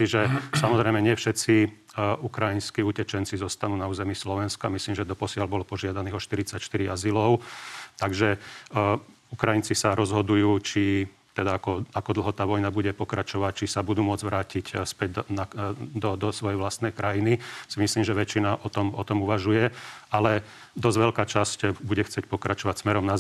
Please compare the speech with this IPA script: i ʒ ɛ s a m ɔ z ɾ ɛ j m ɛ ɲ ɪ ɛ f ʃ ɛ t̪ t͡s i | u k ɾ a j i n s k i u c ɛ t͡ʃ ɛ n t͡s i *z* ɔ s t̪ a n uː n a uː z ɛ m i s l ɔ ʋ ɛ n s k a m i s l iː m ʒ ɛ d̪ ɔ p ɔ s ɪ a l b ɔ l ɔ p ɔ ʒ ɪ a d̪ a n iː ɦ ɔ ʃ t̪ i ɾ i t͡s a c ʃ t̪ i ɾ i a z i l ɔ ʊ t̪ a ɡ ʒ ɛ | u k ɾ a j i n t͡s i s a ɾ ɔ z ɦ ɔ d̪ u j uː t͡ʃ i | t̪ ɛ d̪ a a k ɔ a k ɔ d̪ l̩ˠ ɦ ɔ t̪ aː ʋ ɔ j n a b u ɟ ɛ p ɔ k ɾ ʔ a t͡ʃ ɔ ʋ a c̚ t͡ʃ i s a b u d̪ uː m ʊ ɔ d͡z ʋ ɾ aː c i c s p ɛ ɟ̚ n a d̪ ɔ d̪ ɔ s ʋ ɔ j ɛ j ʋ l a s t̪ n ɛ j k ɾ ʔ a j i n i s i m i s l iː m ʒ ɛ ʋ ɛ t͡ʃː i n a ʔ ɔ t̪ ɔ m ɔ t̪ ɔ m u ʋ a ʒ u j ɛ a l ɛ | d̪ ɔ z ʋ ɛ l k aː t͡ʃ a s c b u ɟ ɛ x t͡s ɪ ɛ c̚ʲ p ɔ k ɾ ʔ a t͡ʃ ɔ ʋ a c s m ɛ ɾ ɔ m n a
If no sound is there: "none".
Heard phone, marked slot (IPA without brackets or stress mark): z